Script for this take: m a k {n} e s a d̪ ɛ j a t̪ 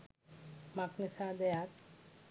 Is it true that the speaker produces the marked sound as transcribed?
yes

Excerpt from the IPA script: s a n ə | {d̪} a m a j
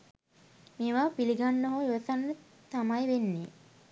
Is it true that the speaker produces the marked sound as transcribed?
no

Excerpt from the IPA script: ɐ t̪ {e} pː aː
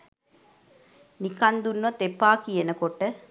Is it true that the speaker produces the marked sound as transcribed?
yes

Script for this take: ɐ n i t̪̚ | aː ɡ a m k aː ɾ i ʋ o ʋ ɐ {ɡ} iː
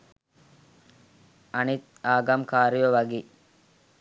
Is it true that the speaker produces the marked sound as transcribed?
yes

